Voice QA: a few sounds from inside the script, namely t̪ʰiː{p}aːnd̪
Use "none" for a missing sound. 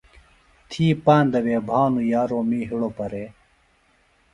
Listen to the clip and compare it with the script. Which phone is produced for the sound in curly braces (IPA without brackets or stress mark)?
p